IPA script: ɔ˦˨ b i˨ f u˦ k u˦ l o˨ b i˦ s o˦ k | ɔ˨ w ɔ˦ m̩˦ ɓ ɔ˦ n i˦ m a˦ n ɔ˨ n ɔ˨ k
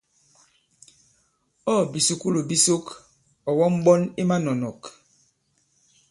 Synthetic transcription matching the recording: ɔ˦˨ b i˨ s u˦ k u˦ l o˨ b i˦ s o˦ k | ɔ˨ w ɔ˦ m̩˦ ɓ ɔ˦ n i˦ m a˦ n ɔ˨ n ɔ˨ k